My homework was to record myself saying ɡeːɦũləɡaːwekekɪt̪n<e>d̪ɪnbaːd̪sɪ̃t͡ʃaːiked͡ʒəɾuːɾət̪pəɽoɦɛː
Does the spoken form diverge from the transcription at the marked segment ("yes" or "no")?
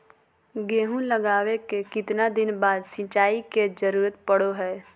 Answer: yes